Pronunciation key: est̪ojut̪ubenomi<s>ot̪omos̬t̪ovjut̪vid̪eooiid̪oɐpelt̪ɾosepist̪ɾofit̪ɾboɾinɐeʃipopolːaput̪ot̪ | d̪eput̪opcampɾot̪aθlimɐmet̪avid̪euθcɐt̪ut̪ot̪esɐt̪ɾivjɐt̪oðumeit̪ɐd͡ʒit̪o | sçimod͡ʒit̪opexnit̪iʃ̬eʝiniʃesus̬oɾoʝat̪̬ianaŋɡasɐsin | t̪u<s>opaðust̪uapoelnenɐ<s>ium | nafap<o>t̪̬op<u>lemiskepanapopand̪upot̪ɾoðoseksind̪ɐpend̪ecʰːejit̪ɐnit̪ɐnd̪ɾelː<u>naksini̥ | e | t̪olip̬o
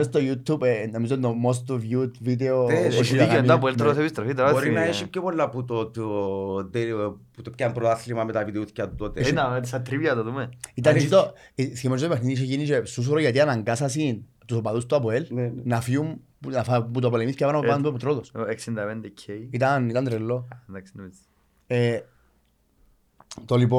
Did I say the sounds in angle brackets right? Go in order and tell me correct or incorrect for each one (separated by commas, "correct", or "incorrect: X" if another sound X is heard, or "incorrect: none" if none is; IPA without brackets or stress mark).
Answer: incorrect: z, correct, incorrect: f, incorrect: u, incorrect: o, incorrect: o